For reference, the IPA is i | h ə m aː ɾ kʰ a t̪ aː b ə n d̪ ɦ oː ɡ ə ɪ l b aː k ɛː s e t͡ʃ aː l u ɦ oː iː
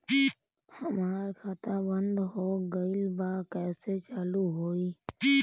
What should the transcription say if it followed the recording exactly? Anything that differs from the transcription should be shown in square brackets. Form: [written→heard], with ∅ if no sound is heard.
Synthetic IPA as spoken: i | h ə m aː ɾ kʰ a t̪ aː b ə n d̪ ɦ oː ɡ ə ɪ l b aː k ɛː s e t͡ʃ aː l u ɦ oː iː